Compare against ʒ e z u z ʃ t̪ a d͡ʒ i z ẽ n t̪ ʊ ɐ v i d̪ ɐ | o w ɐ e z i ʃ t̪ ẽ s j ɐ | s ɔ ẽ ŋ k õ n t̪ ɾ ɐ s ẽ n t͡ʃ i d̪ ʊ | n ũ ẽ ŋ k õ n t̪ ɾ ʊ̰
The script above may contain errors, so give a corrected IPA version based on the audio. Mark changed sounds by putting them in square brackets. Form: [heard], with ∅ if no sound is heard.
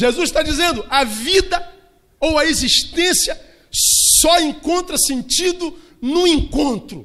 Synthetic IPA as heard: ʒ e z u z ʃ t̪ a d͡ʒ i z ẽ n [d̪] ʊ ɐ v i d̪ ɐ | o w ɐ e z i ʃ t̪ ẽ s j ɐ | s ɔ ẽ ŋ k õ n t̪ ɾ ɐ s ẽ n t͡ʃ i d̪ ʊ | n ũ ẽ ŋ k õ n t̪ ɾ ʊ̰